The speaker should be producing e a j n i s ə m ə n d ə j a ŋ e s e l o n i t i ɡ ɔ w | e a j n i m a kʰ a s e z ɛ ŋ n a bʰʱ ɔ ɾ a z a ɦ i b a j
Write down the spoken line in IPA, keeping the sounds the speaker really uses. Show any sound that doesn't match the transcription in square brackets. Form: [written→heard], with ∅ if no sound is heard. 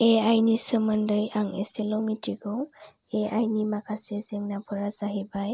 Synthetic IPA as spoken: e a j n i s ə m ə n d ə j a ŋ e s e l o [n→m] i t i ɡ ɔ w | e a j n i m a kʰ a s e z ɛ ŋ n a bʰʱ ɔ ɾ a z a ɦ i b a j